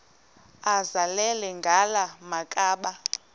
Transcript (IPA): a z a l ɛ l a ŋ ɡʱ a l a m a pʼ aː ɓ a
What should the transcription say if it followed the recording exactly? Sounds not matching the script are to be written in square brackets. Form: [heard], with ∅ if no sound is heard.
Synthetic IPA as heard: a z a l ɛ l [ɛ] ŋ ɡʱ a l a m a [kʼ] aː ɓ a